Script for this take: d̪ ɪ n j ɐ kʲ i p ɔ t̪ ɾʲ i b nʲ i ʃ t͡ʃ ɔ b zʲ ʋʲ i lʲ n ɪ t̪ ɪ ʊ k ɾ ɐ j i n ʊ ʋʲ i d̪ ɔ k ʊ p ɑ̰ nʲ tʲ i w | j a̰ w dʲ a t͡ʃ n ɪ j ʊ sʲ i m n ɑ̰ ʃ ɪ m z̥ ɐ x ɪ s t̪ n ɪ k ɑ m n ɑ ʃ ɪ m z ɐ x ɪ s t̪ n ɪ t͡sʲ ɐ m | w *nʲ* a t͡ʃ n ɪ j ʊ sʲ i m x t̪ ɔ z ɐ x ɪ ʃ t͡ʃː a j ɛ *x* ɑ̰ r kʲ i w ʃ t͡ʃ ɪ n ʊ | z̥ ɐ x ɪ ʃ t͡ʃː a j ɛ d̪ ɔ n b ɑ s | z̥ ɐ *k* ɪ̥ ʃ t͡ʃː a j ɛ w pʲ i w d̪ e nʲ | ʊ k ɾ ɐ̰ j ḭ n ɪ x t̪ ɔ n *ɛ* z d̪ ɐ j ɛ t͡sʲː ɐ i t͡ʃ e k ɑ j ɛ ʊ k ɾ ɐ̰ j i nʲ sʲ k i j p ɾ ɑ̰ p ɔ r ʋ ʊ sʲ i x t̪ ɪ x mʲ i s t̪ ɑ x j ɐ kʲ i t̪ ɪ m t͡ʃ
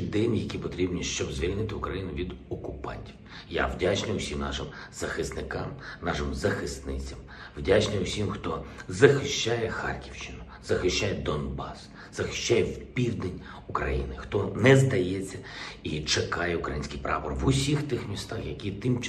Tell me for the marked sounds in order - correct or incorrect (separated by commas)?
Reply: incorrect, correct, incorrect, correct